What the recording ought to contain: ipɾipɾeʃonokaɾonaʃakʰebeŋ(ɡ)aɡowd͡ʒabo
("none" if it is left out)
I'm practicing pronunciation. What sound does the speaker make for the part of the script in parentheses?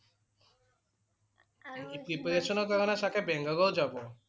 ɡ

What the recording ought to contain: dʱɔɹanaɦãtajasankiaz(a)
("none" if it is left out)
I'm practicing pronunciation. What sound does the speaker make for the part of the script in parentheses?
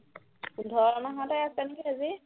i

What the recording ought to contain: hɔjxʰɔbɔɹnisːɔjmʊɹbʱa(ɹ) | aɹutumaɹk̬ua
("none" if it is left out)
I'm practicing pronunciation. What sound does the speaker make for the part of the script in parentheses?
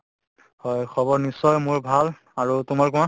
l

